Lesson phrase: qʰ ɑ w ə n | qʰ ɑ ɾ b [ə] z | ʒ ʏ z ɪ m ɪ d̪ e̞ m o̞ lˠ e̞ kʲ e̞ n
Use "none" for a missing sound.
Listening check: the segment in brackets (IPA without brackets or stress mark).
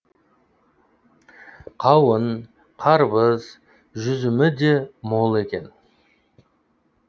ə